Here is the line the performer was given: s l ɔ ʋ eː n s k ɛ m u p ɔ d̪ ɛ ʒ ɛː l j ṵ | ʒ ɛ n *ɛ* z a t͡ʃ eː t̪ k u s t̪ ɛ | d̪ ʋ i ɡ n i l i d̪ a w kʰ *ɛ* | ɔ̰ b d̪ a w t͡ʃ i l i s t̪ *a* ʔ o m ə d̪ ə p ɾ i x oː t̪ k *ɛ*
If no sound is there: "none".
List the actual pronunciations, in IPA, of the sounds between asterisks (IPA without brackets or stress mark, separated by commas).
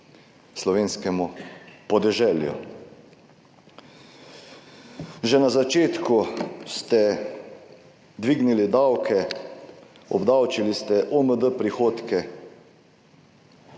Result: a, ɛ, ɛ, ɛ